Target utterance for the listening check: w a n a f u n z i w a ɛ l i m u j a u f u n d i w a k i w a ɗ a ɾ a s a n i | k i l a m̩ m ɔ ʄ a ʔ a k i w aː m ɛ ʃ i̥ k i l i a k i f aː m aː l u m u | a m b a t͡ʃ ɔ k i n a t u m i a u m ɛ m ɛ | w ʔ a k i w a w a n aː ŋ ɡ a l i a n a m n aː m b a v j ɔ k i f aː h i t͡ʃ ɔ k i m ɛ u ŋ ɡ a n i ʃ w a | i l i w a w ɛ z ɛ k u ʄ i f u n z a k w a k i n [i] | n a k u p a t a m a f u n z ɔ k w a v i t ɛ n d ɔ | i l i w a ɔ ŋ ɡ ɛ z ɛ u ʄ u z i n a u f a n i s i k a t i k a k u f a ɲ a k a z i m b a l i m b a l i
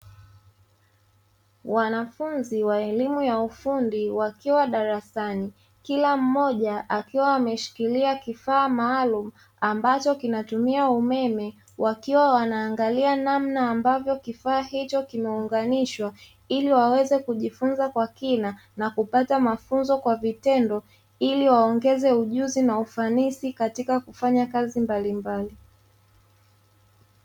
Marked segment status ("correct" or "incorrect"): incorrect